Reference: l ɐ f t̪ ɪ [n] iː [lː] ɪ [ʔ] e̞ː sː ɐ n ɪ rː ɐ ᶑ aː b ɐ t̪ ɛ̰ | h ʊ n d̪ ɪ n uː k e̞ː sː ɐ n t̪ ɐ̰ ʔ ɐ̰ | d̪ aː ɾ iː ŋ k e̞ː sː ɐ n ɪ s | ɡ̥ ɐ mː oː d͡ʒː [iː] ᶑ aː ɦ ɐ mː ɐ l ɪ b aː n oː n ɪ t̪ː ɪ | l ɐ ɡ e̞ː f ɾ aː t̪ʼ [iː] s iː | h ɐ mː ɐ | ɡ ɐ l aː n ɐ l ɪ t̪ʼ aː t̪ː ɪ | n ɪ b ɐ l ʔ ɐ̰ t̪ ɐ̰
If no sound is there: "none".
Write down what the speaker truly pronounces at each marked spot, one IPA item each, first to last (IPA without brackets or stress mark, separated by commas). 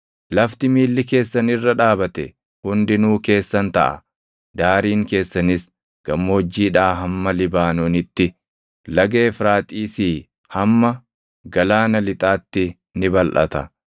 m, lː, k, iː, iː